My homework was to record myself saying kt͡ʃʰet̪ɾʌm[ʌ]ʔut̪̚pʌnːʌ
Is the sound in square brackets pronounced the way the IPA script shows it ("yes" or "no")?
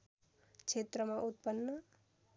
no